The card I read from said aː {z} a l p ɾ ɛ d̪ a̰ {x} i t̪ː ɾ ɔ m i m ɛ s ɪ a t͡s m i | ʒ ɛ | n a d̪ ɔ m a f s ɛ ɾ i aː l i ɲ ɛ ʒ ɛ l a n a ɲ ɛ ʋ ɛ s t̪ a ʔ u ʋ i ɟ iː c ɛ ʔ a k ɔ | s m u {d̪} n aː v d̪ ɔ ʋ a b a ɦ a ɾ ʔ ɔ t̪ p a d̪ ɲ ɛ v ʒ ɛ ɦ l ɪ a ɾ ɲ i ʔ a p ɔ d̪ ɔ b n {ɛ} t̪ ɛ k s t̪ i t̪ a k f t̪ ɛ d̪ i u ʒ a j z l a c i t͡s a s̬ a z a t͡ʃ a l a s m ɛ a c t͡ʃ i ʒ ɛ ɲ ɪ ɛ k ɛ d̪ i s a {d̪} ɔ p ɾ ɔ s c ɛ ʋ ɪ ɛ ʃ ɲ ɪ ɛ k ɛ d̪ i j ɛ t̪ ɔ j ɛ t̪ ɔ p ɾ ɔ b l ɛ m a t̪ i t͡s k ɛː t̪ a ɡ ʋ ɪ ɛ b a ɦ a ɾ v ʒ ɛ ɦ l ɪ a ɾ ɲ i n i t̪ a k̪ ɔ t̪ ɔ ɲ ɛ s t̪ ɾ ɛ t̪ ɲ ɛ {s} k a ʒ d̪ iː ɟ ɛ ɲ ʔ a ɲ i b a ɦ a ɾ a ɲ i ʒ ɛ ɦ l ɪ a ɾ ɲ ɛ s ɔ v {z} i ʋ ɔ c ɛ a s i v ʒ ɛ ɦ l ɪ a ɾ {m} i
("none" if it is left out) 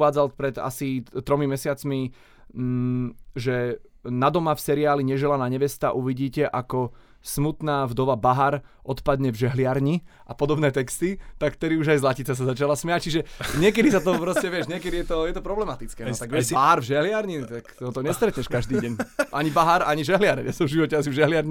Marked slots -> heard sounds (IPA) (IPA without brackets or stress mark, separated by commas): d͡z, s, t̪, ɛː, t̪, ʃ, ʒ, ɲ